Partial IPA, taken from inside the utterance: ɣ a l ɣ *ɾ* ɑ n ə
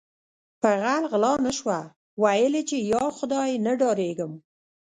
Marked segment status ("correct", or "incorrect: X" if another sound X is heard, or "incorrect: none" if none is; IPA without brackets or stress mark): incorrect: l